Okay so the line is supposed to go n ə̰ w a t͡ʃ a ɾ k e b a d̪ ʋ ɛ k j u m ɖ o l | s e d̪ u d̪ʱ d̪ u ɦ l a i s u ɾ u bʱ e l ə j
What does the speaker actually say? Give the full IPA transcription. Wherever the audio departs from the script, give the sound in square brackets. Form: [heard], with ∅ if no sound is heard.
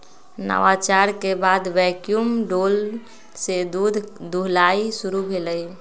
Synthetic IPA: n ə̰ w a t͡ʃ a ɾ k e b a d̪ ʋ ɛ k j u m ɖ o l | s e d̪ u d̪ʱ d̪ u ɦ l a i s u ɾ u bʱ e l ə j